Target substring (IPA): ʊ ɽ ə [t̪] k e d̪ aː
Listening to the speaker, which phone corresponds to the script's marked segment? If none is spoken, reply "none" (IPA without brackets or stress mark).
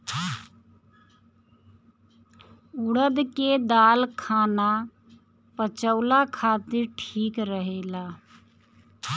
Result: d̪